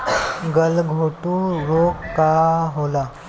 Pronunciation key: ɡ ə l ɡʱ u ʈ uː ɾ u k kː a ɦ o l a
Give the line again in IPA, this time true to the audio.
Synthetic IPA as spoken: ɡ ə l ɡʱ o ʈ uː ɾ o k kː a ɦ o l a